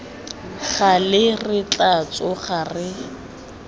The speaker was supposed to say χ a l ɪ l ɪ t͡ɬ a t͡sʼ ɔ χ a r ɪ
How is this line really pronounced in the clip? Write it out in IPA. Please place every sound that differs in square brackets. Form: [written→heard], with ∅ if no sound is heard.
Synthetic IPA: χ a l ɪ [l→r] ɪ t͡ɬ a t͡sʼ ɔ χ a r ɪ